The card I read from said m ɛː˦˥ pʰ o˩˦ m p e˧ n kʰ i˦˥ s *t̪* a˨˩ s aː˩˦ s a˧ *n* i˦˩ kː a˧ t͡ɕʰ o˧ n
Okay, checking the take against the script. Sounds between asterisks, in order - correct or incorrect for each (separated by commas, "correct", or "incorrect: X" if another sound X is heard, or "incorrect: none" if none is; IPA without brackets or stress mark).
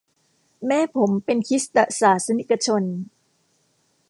correct, correct